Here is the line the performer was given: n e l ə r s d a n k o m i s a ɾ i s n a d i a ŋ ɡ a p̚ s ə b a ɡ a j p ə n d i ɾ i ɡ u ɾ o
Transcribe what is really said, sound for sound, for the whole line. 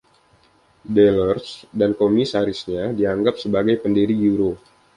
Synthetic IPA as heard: d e l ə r s d a n k o m i s a ɾ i s ɲ a d i a ŋ ɡ a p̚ s ə b a ɡ a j p ə n d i ɾ i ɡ u ɾ o

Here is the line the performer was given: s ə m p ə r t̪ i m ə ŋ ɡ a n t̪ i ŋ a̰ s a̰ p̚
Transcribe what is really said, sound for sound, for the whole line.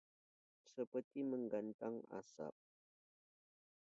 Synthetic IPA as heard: s ə p ə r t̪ i m ə ŋ ɡ a n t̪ a ŋ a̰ s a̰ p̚

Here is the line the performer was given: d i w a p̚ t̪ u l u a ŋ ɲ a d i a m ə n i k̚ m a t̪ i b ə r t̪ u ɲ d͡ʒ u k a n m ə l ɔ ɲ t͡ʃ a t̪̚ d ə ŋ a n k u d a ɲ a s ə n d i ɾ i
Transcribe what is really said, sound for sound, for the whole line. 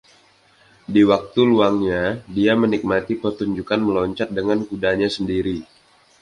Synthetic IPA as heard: d i w a k̚ t̪ u l u a ŋ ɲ a d i a m ə n i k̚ m a t̪ i p ə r t̪ u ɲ d͡ʒ u k a n m ə l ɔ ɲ t͡ʃ a t̪̚ d ə ŋ a n k u d a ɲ a s ə n d i ɾ i

